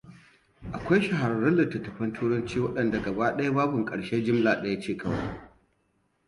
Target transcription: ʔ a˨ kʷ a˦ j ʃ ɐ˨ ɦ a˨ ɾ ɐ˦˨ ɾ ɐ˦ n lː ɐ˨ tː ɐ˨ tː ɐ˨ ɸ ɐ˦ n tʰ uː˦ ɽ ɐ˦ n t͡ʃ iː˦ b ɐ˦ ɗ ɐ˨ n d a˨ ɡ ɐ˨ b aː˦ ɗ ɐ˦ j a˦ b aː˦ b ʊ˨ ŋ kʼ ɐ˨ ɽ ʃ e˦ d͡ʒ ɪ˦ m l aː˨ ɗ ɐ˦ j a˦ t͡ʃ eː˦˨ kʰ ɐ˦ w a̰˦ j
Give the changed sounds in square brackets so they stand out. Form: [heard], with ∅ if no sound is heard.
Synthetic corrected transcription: ʔ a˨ kʷ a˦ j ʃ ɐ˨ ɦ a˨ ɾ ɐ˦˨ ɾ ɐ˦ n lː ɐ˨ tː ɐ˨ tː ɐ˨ ɸ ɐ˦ n tʰ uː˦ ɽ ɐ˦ n t͡ʃ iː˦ [w] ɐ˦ ɗ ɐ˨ n d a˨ ɡ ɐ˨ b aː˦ ɗ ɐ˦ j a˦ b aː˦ b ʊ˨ ŋ kʼ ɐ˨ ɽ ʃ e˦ d͡ʒ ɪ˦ m l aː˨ ɗ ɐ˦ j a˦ t͡ʃ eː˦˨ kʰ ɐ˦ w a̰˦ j